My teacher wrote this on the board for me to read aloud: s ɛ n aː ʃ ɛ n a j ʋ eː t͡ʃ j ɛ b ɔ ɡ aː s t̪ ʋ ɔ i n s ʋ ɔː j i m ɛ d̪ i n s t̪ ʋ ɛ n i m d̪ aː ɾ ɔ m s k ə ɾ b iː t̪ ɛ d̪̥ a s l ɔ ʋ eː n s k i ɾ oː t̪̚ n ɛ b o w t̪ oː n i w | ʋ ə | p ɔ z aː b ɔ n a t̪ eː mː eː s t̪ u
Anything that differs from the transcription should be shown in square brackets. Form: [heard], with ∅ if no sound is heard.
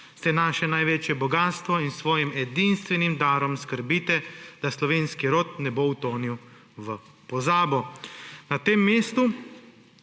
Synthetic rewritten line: s ɛ n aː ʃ ɛ n a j ʋ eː t͡ʃ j ɛ b ɔ ɡ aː s t̪ ʋ ɔ i n s ʋ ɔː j i m ɛ d̪ i n s t̪ ʋ ɛ n i m d̪ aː ɾ ɔ m s k ə ɾ b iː t̪ ɛ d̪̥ a s l ɔ ʋ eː n s k i ɾ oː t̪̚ n ɛ b o w t̪ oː n i w | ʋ ə | p ɔ z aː b ɔ n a t̪ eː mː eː s t̪ u

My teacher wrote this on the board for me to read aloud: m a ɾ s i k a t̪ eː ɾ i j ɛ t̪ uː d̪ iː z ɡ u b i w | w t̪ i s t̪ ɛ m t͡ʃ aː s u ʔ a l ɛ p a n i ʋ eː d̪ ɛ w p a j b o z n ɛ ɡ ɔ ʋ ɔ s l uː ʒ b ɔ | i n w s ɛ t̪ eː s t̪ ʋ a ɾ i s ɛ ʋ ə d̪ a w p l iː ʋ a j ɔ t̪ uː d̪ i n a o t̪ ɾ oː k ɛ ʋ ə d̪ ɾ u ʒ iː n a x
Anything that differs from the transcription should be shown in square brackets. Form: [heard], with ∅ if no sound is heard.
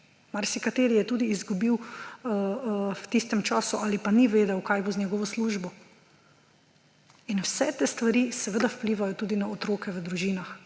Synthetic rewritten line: m a ɾ s i k a t̪ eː ɾ i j ɛ t̪ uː d̪ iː z ɡ u b i w | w t̪ i s t̪ ɛ m t͡ʃ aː s u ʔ a l [i] p a n i ʋ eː d̪ ɛ w [k] a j b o z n ɛ ɡ ɔ ʋ ɔ s l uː ʒ b ɔ | i n w s ɛ t̪ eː s t̪ ʋ a ɾ i s ɛ ʋ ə d̪ a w p l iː ʋ a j ɔ t̪ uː d̪ i n a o t̪ ɾ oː k ɛ ʋ ə d̪ ɾ u ʒ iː n a x

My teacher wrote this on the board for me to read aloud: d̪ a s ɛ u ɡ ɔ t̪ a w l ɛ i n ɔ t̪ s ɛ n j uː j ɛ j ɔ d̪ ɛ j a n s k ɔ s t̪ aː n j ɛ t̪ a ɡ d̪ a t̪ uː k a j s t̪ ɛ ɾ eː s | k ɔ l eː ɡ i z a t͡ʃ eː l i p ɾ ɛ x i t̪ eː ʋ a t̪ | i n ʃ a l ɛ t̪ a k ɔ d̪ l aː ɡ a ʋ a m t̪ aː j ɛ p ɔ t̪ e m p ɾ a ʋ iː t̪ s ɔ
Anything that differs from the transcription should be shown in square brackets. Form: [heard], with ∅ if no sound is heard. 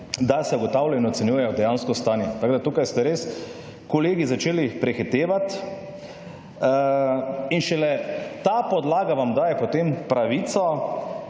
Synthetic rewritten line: d̪ a s ɛ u ɡ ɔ t̪ a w l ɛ i n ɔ t̪ s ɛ n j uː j ɛ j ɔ d̪ ɛ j a n s k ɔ s t̪ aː n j ɛ t̪ a ɡ d̪ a t̪ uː k a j s t̪ ɛ ɾ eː s | k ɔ l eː ɡ i z a t͡ʃ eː l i p ɾ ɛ x i t̪ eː ʋ a t̪ | i n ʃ [ɛ] l ɛ t̪ a [p] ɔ d̪ l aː ɡ a ʋ a m [d̪] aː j ɛ p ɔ t̪ e m p ɾ a ʋ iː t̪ s ɔ

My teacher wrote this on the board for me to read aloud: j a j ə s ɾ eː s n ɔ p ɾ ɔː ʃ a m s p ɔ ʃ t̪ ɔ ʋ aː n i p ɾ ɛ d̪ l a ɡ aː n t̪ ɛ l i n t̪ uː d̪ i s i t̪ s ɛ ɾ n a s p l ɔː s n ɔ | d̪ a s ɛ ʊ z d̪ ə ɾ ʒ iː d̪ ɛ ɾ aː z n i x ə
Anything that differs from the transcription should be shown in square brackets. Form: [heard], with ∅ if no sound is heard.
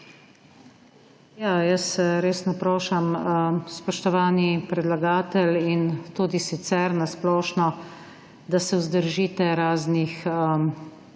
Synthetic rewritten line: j a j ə s ɾ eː s n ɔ p ɾ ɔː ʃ a m s p ɔ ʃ t̪ ɔ ʋ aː n i p ɾ ɛ d̪ l a ɡ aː [∅] t̪ ɛ l i n t̪ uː d̪ i s i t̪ s ɛ ɾ n a s p l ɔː [ʃ] n ɔ | d̪ a s ɛ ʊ z d̪ ə ɾ ʒ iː [t̪] ɛ ɾ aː z n i x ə

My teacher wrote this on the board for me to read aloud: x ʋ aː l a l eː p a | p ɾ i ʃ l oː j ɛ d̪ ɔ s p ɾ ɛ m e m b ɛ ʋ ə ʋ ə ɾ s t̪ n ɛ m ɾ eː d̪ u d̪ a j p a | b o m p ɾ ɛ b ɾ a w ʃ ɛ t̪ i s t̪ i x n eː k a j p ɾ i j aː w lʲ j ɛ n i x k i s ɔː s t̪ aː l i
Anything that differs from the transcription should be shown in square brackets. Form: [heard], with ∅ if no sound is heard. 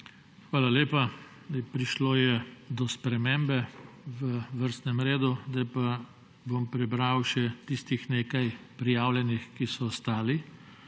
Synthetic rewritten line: x ʋ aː l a l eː p a | p ɾ i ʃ l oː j ɛ d̪ ɔ s p ɾ ɛ m e m b ɛ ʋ ə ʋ ə ɾ s t̪ n ɛ m ɾ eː d̪ u d̪ a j p a | b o m p ɾ ɛ b ɾ a w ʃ ɛ t̪ i s t̪ i x n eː k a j p ɾ i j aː w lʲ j ɛ n i x k i s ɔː s t̪ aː l i

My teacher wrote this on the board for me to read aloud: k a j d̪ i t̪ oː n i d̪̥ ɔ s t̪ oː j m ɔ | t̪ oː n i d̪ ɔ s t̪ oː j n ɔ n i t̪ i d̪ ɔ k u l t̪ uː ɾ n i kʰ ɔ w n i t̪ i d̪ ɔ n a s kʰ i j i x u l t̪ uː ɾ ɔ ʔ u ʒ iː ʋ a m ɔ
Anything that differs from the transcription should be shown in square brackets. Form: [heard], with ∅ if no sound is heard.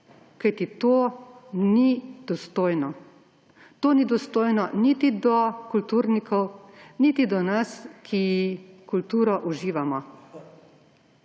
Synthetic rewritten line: k a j [t̪] i t̪ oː n i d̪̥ ɔ s t̪ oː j [n] ɔ | t̪ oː n i d̪ ɔ s t̪ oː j n ɔ n i t̪ i d̪ ɔ k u l t̪ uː ɾ n i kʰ ɔ w n i t̪ i d̪ ɔ n a s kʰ i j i [k] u l t̪ uː ɾ ɔ ʔ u ʒ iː ʋ a m ɔ

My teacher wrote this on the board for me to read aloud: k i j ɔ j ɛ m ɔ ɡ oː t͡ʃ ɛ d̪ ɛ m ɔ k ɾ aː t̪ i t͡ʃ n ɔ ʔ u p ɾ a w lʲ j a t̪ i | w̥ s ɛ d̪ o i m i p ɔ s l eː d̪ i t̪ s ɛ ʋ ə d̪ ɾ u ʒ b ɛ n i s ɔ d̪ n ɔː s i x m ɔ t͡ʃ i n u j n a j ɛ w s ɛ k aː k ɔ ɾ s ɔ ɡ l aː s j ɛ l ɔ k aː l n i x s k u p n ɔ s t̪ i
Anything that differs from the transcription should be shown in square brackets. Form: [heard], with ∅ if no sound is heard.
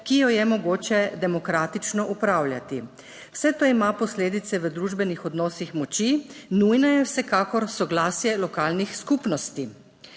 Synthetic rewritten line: k i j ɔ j ɛ m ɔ ɡ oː t͡ʃ ɛ d̪ ɛ m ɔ k ɾ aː t̪ i t͡ʃ n ɔ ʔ u p ɾ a w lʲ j a t̪ i | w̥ s ɛ [t̪] o i m [a] p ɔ s l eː d̪ i t̪ s ɛ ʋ ə d̪ ɾ u ʒ b ɛ n i [x] ɔ d̪ n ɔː s i x m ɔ t͡ʃ i n u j n a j ɛ w s ɛ k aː k ɔ ɾ s ɔ ɡ l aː s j ɛ l ɔ k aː l n i x s k u p n ɔ s t̪ i

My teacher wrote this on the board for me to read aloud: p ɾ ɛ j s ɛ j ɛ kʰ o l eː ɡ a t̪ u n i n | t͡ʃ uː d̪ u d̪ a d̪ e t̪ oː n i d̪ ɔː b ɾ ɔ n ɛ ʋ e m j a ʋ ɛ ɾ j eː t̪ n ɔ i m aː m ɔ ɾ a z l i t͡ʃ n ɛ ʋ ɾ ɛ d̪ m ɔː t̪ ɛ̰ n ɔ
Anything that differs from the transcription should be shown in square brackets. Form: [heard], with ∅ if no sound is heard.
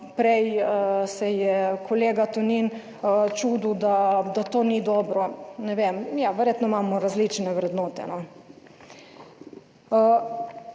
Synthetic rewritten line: p ɾ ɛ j s ɛ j ɛ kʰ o l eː ɡ a t̪ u n i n | t͡ʃ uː d̪ u d̪ a d̪ [a] t̪ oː n i d̪ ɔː b ɾ ɔ n ɛ ʋ e m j a ʋ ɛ ɾ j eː t̪ n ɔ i m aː m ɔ ɾ a z l i t͡ʃ n ɛ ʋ ɾ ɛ d̪ [n] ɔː t̪ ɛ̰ n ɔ

